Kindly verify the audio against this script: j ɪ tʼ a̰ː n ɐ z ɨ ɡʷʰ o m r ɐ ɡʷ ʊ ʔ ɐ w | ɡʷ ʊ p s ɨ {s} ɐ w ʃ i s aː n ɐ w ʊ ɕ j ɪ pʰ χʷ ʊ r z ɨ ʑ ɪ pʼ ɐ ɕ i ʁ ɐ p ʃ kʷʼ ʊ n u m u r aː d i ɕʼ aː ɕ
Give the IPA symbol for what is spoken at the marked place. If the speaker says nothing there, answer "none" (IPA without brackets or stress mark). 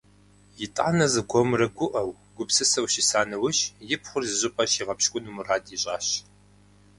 s